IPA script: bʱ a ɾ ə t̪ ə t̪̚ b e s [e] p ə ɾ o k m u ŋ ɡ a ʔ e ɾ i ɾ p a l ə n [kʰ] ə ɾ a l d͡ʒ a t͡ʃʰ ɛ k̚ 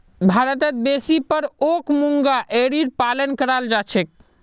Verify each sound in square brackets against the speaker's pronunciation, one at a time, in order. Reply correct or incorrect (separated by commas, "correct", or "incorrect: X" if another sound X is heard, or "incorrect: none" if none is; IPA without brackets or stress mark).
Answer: incorrect: i, incorrect: k